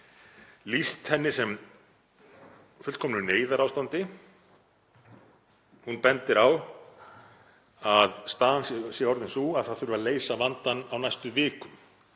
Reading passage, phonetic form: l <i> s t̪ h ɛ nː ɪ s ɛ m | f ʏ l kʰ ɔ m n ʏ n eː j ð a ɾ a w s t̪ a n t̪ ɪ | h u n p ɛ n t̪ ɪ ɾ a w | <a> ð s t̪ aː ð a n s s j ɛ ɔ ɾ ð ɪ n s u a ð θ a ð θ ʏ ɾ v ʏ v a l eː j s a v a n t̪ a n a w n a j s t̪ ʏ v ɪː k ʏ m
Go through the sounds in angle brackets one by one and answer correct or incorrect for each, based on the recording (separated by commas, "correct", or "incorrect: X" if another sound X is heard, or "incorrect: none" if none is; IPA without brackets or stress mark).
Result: correct, correct